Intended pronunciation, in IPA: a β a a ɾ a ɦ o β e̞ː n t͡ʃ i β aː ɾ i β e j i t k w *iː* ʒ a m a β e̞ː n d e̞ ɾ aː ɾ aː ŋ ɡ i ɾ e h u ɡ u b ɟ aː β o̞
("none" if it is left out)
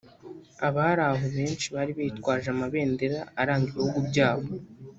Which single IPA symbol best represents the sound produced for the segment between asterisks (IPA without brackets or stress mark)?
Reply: aː